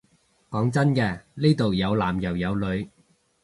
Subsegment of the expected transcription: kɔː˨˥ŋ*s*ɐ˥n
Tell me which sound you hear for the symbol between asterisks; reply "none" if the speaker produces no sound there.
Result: t͡s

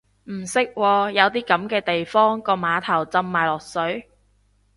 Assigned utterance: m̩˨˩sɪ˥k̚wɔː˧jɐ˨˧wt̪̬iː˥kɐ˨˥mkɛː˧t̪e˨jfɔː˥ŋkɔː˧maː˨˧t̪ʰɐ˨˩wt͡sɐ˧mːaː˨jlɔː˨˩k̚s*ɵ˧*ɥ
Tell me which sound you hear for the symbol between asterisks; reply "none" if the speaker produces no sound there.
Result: ɵ˨˥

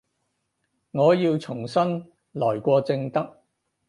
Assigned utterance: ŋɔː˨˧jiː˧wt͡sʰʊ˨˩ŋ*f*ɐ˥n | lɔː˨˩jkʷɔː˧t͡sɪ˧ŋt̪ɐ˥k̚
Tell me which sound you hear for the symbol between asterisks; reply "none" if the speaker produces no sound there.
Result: s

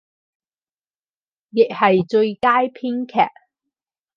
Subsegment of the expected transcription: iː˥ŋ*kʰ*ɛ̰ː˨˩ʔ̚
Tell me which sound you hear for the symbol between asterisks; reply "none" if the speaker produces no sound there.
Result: kʰ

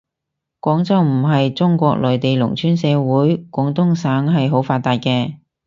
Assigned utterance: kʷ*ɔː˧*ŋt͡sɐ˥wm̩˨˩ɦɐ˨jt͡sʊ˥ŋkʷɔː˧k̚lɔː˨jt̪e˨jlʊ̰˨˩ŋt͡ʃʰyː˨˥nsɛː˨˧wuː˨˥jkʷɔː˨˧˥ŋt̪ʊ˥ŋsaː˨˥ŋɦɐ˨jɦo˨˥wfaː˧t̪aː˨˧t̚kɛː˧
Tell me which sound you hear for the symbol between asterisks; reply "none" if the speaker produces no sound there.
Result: ɔː˨˥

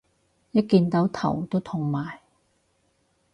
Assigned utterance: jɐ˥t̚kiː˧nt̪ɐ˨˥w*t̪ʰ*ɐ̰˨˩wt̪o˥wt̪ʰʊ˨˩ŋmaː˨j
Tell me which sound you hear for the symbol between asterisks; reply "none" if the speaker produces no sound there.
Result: t̪ʰ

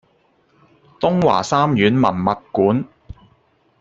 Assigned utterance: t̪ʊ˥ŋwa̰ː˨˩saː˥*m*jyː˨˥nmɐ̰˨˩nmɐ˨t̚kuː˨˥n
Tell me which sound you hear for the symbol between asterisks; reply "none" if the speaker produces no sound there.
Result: m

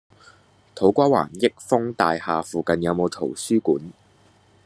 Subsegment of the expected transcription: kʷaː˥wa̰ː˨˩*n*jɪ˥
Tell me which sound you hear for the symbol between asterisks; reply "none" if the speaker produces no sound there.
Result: n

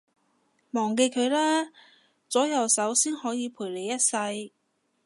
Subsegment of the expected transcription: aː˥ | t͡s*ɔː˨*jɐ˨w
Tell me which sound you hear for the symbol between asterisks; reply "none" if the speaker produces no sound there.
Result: ɔː˨˥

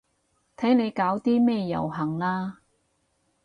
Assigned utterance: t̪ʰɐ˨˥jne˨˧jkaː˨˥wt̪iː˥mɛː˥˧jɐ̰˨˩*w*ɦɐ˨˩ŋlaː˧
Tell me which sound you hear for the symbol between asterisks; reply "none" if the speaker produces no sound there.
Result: w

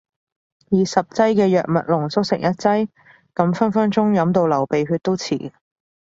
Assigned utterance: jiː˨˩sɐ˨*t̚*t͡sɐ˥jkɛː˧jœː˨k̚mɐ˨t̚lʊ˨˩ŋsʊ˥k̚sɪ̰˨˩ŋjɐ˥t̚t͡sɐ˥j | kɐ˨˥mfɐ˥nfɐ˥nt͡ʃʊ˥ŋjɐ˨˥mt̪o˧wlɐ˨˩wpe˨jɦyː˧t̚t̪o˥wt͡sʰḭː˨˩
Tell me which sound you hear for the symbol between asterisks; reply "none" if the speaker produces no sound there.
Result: p̚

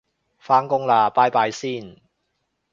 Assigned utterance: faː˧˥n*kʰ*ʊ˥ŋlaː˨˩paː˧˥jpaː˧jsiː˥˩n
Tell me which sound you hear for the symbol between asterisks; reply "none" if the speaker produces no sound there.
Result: k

